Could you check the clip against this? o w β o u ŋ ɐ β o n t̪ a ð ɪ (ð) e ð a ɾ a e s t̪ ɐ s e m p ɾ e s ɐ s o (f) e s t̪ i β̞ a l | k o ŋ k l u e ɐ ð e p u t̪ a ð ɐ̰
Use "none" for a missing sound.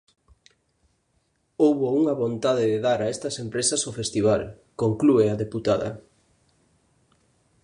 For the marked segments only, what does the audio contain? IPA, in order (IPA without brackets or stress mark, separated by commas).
ð, f